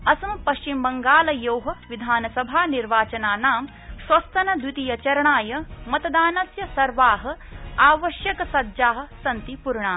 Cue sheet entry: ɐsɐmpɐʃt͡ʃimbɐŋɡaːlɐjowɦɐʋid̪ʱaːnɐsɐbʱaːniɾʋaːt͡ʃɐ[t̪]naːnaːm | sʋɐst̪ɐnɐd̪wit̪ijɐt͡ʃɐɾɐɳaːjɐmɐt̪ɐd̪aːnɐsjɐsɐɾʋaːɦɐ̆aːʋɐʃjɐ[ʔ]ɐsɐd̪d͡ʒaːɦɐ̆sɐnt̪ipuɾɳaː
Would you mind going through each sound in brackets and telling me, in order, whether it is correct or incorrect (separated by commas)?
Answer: incorrect, incorrect